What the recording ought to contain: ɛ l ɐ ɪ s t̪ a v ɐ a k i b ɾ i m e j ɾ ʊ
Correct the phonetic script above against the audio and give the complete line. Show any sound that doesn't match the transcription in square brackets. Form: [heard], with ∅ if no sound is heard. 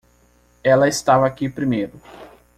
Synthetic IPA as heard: ɛ l ɐ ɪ s t̪ a v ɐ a k i [p] ɾ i m e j ɾ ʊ